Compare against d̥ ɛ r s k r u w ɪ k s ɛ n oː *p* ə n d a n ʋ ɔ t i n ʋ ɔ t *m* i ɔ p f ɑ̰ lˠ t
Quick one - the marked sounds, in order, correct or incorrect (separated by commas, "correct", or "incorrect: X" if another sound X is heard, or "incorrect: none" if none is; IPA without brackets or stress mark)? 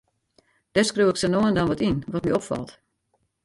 incorrect: none, correct